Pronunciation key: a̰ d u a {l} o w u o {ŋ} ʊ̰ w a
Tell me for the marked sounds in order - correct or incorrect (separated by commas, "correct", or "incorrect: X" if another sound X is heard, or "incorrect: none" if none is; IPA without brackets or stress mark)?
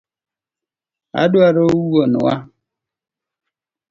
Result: incorrect: ɾ, incorrect: n